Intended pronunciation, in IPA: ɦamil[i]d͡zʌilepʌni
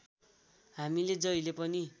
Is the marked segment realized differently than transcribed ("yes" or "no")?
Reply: yes